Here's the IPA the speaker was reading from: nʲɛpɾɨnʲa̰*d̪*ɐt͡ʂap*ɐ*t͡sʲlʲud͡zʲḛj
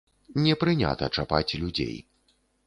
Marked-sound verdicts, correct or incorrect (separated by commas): incorrect, incorrect